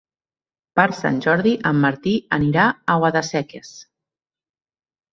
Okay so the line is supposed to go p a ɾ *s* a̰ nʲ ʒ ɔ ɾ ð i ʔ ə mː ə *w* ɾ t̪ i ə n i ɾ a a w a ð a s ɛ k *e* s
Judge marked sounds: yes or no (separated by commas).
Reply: yes, no, yes